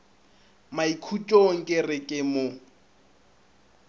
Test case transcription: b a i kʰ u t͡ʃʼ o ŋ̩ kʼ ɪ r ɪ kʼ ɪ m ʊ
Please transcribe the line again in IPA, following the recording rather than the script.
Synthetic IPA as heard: m a i kʰ u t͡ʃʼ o ŋ̩ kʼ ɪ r ɪ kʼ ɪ m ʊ